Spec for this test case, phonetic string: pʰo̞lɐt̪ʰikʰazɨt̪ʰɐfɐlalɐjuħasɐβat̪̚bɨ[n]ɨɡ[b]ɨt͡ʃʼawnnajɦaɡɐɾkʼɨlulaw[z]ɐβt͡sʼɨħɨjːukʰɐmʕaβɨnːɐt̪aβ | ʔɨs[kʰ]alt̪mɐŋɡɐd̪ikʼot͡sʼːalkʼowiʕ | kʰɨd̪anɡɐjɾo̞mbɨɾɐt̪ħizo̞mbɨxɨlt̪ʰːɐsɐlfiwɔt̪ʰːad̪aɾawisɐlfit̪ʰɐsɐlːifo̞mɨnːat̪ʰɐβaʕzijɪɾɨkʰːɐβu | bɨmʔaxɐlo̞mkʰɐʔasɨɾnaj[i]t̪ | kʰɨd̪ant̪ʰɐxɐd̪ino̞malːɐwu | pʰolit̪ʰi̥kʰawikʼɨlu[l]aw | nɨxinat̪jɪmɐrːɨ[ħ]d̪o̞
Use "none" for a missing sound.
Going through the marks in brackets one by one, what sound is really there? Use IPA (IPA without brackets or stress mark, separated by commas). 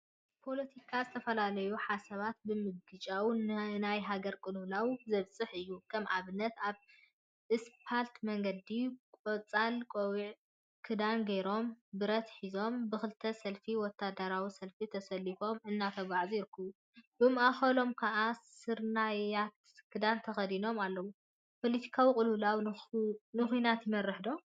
m, ɡ, z, pʰ, a, l, ħ